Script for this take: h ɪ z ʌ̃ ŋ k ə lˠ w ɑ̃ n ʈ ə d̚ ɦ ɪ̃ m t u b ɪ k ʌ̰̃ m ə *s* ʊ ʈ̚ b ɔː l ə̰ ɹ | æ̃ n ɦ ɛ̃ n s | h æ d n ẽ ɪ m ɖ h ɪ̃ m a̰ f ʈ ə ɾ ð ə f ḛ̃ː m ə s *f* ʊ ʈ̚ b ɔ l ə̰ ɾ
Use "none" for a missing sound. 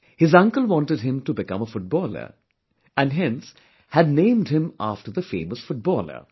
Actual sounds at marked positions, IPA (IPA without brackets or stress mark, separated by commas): f, f